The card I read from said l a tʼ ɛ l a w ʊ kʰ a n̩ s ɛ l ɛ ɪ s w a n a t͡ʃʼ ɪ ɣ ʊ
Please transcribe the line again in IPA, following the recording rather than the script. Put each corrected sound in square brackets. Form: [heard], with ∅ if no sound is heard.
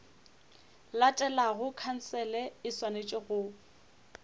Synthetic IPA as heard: l a tʼ ɛ l a [ɣ] ʊ kʰ a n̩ s ɛ l ɛ ɪ s w a n [e] t͡ʃʼ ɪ ɣ ʊ